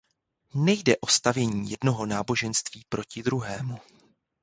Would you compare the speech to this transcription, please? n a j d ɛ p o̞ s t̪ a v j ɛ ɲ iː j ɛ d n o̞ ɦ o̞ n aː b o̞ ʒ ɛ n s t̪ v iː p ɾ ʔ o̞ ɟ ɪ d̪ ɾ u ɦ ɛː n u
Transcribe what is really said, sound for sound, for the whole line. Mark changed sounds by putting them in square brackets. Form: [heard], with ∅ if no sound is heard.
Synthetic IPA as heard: n [ɛ] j d ɛ [ʔ] o̞ s t̪ a v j ɛ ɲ iː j ɛ d n o̞ ɦ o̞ n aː b o̞ ʒ ɛ n s t̪ v iː p ɾ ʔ o̞ [c] ɪ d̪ ɾ u ɦ ɛː [m] u